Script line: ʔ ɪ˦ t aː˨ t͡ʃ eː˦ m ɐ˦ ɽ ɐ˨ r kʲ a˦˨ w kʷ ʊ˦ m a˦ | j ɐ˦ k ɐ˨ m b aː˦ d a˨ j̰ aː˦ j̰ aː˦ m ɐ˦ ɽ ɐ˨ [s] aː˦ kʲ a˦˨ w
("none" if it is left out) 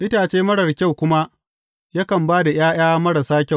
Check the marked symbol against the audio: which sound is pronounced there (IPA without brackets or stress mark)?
s